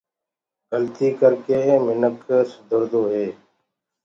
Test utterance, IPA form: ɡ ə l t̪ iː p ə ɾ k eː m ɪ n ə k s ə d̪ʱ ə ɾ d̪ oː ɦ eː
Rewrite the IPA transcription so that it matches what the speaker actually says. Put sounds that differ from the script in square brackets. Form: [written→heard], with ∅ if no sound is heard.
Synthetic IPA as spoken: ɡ ə l t̪ iː [p→k] ə ɾ k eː m ɪ n ə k s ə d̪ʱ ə ɾ d̪ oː ɦ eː